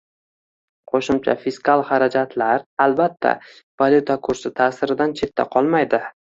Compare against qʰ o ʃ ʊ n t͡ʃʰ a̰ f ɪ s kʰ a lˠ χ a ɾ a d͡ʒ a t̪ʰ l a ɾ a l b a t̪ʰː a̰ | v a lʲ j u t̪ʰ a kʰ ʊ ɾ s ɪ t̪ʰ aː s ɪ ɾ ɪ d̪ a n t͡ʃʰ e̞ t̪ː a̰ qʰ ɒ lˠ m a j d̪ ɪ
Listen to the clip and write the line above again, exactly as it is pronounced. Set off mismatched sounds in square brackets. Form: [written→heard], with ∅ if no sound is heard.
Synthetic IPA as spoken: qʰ o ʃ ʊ [n→m] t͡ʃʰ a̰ f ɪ s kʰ a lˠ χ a ɾ a d͡ʒ a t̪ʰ l a ɾ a l b a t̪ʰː a̰ | v a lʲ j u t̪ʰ a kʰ ʊ ɾ s ɪ t̪ʰ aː s ɪ ɾ ɪ d̪ a n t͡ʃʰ e̞ t̪ː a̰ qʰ ɒ lˠ m a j d̪ ɪ